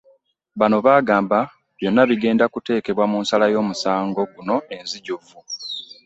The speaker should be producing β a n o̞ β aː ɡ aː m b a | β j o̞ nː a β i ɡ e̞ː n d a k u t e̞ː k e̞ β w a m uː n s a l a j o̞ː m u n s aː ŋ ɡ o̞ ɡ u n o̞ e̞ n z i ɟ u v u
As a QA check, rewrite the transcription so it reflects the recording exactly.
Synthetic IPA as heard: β a n o̞ β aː ɡ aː m b a | β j o̞ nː a β i ɡ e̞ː n d a k u t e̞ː k e̞ β w a m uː n s a l a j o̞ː m u s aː ŋ ɡ o̞ ɡ u n o̞ e̞ n z i ɟ u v u